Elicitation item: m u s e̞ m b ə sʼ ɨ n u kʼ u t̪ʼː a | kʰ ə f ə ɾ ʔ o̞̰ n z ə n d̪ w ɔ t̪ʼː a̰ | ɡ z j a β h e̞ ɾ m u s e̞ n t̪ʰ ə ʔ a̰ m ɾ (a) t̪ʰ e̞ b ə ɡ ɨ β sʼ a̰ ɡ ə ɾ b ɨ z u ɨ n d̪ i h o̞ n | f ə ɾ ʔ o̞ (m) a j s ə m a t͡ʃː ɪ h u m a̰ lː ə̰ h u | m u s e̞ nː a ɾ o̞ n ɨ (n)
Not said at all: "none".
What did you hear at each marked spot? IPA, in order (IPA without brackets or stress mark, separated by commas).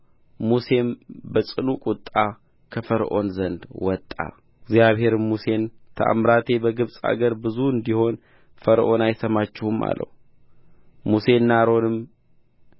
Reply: a, n, m